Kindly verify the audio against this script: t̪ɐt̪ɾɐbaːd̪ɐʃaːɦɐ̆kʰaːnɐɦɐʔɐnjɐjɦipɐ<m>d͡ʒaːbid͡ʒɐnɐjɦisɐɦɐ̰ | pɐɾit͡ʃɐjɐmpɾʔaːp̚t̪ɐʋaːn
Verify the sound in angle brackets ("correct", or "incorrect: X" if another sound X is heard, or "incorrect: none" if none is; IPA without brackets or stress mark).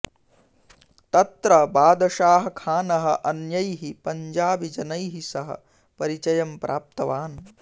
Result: incorrect: ɲ